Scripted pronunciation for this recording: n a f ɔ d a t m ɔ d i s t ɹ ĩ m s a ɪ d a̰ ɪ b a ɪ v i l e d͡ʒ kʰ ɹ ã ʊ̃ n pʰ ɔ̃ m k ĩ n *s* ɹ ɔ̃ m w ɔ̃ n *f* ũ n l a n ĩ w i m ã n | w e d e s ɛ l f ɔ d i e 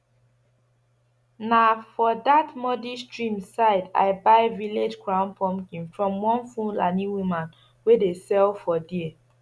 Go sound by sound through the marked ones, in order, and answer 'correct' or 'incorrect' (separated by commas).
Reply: incorrect, correct